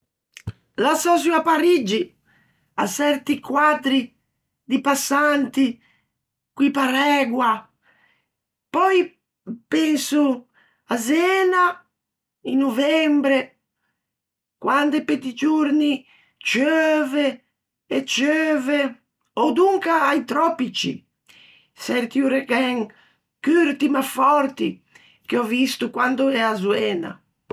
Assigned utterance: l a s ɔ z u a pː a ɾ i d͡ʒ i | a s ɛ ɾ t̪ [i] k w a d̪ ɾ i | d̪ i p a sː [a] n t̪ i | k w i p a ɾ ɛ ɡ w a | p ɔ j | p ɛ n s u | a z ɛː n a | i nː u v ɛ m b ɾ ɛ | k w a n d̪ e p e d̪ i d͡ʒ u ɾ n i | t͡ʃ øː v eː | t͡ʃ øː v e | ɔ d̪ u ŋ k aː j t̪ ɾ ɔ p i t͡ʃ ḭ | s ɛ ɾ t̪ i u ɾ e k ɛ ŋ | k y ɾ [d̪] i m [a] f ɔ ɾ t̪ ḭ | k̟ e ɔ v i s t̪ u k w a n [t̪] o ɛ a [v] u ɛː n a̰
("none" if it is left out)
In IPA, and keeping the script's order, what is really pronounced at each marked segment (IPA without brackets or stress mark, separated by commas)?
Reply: i, a, t̪, a, d̪, z